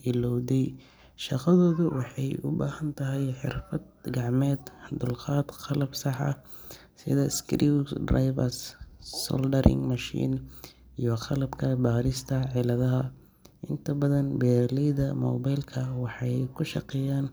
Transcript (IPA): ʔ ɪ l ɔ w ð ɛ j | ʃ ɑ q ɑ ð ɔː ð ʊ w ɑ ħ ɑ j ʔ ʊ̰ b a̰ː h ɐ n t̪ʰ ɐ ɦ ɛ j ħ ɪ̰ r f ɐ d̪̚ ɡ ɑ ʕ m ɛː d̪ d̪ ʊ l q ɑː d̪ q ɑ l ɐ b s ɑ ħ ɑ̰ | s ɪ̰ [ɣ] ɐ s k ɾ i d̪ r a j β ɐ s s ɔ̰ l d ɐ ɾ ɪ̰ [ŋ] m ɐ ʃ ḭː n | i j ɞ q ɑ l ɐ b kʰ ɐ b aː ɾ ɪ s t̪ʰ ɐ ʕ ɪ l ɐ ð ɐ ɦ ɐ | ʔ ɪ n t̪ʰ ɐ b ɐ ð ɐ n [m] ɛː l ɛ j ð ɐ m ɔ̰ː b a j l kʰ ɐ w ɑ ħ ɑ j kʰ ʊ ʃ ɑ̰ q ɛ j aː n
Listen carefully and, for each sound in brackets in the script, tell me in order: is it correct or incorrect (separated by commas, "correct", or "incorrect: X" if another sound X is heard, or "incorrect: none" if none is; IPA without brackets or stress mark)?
incorrect: ð, correct, incorrect: b